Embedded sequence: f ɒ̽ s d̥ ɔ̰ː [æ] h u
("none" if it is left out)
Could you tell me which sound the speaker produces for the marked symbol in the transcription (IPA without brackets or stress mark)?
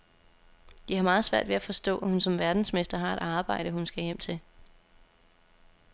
æ